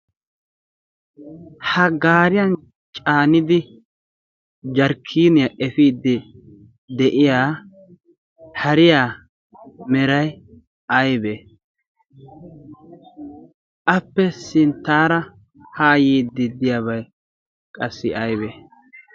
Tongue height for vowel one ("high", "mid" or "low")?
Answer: low